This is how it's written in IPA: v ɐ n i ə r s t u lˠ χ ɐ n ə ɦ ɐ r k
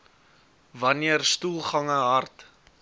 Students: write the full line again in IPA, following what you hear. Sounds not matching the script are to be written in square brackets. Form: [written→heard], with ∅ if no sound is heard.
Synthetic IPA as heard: v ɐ n i ə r s t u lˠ χ ɐ [n→ŋ] ə ɦ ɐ r [k→t]